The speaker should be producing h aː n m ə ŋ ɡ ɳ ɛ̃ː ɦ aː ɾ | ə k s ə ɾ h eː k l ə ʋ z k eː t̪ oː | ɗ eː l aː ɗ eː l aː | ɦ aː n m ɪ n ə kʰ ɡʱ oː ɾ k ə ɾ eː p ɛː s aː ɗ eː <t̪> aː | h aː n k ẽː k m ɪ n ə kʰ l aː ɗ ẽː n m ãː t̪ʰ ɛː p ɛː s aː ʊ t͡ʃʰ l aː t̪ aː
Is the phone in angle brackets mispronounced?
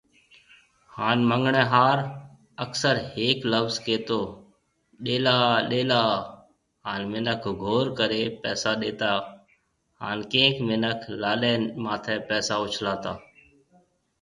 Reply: no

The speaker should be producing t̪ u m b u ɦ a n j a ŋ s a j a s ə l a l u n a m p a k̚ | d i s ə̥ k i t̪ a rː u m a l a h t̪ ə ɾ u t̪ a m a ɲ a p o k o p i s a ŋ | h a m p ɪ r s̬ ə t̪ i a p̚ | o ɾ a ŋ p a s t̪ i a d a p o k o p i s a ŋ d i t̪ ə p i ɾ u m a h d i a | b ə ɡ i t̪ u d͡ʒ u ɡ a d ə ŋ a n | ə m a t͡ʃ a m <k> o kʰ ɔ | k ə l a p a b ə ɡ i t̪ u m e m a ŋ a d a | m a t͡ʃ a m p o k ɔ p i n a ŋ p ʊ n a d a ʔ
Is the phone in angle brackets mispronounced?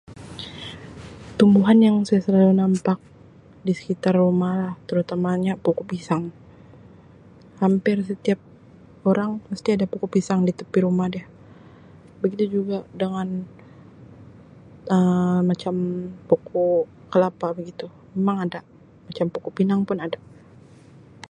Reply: yes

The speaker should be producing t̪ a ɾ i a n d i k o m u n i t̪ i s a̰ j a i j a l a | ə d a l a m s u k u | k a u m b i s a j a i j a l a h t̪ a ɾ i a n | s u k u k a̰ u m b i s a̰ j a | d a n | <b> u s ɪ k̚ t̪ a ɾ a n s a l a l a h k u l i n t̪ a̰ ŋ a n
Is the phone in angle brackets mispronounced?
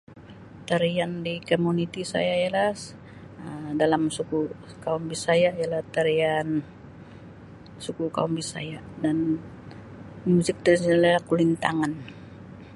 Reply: yes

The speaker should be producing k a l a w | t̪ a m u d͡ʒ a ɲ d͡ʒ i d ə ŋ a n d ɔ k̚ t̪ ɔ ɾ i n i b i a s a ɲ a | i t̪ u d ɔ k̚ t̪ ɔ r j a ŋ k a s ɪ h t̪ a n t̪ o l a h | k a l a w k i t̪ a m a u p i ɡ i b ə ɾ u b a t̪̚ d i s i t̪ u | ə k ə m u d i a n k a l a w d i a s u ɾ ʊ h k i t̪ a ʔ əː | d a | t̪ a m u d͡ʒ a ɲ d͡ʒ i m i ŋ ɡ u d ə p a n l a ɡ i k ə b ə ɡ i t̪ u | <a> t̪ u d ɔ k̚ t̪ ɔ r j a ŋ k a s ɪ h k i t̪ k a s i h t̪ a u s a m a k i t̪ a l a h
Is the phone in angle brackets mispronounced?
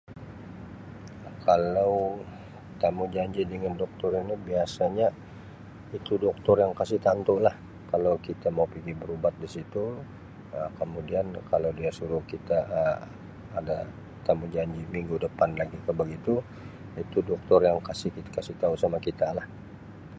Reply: yes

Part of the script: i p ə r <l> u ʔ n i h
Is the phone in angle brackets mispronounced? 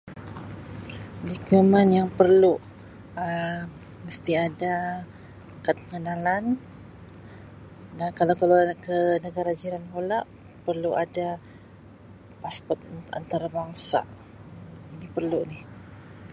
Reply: no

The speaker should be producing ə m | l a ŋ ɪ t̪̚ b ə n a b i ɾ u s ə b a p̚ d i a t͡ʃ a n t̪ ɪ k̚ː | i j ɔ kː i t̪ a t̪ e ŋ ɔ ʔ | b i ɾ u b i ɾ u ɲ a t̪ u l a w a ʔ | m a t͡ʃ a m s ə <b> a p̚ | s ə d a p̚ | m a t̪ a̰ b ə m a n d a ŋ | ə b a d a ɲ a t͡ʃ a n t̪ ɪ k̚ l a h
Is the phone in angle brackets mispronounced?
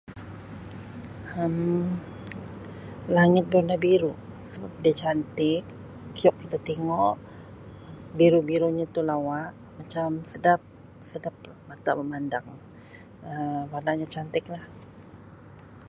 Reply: yes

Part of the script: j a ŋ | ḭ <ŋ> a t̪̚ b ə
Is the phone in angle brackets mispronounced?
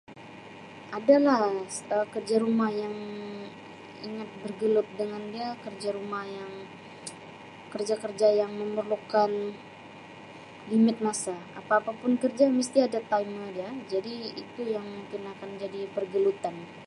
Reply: no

